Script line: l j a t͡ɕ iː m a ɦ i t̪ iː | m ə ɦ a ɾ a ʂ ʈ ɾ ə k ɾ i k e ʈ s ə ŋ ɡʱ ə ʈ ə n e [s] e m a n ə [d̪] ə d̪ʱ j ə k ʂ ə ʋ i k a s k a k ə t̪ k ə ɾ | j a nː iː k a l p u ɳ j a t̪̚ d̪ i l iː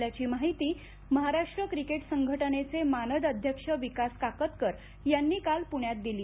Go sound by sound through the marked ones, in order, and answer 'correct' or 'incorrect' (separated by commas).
incorrect, correct